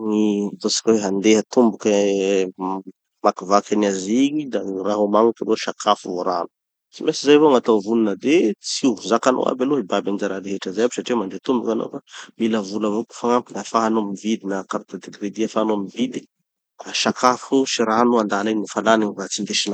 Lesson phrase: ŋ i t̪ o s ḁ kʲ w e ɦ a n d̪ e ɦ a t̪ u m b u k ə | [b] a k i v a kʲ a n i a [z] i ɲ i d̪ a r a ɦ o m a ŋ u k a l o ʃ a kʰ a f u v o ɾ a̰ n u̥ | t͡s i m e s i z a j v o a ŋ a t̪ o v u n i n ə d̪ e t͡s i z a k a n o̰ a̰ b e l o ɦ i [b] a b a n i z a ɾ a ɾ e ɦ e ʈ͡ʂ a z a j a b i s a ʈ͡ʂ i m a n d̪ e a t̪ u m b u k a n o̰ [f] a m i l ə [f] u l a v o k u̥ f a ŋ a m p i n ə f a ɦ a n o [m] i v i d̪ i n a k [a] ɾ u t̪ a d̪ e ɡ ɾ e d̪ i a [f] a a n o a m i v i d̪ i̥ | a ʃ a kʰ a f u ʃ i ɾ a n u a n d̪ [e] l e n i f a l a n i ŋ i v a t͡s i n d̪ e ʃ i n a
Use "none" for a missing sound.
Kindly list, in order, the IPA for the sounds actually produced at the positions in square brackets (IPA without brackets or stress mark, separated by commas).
m, z, b, f, v, m, a, f, a